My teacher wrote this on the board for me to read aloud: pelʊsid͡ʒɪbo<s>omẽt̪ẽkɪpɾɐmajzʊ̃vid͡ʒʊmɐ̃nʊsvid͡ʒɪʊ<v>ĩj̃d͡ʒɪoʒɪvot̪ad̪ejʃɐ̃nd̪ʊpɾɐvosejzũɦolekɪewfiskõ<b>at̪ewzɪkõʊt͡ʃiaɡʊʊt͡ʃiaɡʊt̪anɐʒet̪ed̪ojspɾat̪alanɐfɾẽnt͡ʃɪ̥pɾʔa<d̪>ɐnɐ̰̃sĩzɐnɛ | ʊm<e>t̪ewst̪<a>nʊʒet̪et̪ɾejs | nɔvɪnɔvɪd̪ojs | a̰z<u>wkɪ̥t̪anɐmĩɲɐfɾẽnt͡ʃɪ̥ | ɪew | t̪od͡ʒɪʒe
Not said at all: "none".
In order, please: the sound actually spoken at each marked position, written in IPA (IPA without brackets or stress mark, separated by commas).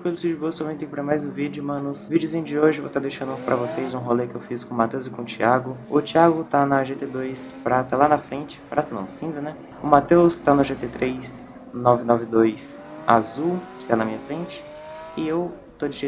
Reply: s, z, m, t̪, a, a, u